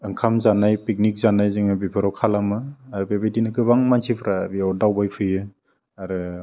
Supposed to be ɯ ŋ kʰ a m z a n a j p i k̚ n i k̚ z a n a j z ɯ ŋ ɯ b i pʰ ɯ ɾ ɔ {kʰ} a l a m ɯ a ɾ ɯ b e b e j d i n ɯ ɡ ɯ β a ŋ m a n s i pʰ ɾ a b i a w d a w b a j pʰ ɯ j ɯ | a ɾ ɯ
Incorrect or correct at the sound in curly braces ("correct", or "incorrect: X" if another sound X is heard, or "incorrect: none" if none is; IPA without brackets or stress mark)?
correct